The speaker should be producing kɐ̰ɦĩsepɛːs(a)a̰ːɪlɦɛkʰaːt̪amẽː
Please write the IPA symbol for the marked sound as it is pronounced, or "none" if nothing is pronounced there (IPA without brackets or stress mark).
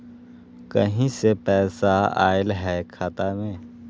a